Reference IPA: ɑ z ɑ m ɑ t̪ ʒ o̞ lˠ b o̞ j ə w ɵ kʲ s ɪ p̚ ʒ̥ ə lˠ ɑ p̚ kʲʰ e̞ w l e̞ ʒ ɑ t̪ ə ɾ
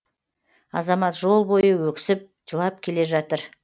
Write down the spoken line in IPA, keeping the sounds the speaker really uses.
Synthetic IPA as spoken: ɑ z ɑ m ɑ t̪ ʒ o̞ lˠ b o̞ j ə w ɵ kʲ s ɪ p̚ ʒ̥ ə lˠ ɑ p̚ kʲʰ e̞ l e̞ ʒ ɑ t̪ ə ɾ